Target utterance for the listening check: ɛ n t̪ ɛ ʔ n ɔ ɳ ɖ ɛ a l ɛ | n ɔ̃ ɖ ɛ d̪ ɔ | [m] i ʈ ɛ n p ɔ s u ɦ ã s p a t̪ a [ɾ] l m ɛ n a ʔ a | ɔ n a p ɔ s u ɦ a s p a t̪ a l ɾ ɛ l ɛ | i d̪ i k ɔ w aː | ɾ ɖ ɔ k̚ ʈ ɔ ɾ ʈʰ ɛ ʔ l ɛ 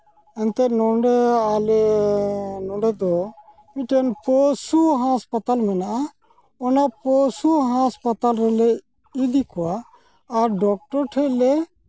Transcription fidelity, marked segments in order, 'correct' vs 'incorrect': correct, incorrect: none

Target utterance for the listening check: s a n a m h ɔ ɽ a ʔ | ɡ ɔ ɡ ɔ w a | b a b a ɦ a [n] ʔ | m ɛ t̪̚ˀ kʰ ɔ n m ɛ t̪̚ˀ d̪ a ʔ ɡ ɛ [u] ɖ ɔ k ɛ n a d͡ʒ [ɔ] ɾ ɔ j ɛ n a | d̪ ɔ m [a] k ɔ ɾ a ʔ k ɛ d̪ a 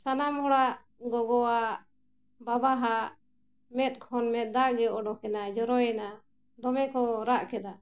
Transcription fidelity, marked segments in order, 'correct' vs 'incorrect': incorrect: none, incorrect: ɔ, correct, incorrect: ɛ

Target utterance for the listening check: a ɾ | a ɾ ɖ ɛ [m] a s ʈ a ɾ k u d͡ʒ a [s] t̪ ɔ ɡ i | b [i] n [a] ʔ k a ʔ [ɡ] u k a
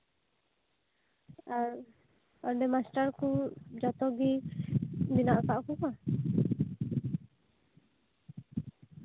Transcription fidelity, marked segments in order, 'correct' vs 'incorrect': correct, incorrect: none, correct, correct, incorrect: k

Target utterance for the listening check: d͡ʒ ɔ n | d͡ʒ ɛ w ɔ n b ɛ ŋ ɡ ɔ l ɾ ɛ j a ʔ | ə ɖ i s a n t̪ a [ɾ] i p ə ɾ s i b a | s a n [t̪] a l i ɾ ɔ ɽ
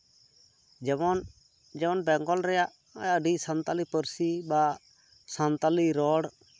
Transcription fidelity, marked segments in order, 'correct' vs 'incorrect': incorrect: l, correct

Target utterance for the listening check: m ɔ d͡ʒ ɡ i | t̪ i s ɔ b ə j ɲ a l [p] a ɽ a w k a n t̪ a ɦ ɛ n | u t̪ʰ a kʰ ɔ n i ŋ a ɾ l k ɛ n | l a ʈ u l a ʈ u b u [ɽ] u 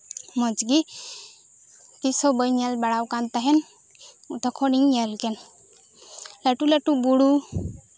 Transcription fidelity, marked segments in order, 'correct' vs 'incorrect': incorrect: b, correct

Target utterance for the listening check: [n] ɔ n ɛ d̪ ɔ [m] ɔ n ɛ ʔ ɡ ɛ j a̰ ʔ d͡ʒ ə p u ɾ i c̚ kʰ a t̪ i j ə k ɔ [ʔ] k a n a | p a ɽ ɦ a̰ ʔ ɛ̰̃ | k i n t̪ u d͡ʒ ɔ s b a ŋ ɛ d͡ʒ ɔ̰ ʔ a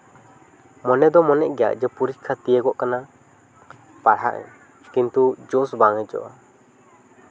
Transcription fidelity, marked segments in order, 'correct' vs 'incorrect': incorrect: m, correct, correct

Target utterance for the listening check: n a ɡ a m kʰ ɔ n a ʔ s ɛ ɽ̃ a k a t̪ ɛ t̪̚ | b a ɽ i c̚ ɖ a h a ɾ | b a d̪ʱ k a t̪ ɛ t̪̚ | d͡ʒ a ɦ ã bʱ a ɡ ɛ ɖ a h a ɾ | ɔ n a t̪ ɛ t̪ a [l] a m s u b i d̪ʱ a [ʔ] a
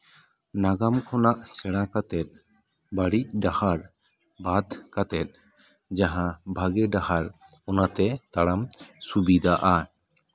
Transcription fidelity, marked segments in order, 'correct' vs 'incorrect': incorrect: ɽ, correct

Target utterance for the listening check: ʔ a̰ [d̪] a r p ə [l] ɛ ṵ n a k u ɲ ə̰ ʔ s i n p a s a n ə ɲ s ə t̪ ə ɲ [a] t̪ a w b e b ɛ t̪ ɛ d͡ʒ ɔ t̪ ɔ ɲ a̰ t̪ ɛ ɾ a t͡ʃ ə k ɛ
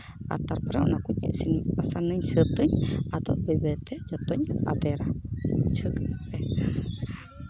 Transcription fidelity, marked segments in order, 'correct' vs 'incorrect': incorrect: t̪, incorrect: ɾ, correct

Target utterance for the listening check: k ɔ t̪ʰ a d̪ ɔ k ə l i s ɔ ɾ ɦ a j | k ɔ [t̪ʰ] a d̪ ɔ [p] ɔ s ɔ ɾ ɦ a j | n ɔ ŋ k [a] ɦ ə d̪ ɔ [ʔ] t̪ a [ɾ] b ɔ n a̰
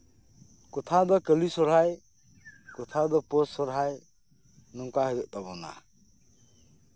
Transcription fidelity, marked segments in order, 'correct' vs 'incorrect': correct, correct, correct, correct, incorrect: none

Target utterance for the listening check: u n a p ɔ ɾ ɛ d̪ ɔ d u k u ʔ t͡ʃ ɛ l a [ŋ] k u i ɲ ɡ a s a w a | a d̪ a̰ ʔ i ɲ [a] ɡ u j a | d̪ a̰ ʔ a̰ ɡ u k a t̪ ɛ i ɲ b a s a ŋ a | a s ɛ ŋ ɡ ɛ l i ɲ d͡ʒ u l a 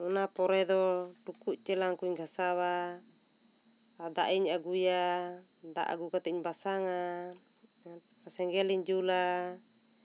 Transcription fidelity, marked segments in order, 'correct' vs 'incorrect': correct, correct

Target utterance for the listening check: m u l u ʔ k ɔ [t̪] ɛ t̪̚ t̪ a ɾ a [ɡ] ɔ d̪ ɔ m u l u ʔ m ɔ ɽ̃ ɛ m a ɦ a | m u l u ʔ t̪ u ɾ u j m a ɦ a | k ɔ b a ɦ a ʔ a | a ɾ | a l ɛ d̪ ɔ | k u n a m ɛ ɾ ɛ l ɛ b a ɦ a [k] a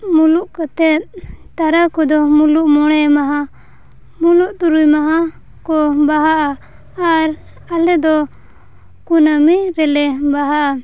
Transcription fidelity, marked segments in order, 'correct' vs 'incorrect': correct, incorrect: k, incorrect: ʔ

